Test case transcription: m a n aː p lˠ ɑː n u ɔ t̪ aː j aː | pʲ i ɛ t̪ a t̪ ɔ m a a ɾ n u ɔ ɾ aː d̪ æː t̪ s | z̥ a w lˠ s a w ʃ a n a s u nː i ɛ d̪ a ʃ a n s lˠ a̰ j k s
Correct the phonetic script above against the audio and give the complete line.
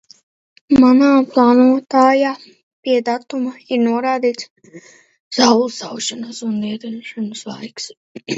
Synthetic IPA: m a n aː p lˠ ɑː n u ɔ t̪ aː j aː | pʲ i ɛ d̪ a t̪ u m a i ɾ n u ɔ ɾ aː d̪ iː t̪ s | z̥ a w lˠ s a w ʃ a n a s u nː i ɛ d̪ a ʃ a n s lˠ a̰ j k s